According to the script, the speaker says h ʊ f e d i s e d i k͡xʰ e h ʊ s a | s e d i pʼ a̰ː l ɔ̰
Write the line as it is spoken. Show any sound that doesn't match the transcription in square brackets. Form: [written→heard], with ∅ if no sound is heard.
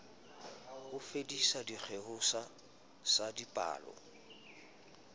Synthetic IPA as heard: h ʊ f e d i s [e→a] d i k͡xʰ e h ʊ s a | s [e→a] d i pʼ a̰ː l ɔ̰